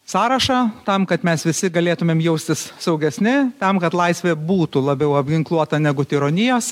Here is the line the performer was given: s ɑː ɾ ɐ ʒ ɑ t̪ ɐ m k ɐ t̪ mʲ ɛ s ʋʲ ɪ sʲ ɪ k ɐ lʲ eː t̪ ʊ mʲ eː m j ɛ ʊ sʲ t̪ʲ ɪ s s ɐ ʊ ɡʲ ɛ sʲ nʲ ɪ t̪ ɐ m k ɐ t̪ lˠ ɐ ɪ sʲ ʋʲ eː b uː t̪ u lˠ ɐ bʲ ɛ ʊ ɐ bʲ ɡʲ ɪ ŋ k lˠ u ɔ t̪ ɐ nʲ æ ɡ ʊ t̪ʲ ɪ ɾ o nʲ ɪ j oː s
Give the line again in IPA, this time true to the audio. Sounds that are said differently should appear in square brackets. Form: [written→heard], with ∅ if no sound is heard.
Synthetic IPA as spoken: s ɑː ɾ ɐ [ʒ→ʃ] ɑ t̪ ɐ m k ɐ t̪ mʲ ɛ s ʋʲ ɪ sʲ ɪ [k→ɡ] ɐ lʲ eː t̪ ʊ mʲ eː m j ɛ ʊ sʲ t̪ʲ ɪ s s ɐ ʊ ɡʲ ɛ sʲ nʲ ɪ t̪ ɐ m k ɐ t̪ lˠ ɐ ɪ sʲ ʋʲ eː b uː t̪ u lˠ ɐ bʲ ɛ ʊ ɐ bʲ ɡʲ ɪ ŋ k lˠ u ɔ t̪ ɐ nʲ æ ɡ ʊ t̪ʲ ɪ ɾ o nʲ ɪ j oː s